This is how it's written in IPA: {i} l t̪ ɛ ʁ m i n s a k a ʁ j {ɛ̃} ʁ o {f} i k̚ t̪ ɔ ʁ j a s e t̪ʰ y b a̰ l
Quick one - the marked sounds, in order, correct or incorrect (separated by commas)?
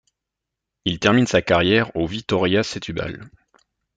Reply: correct, incorrect, incorrect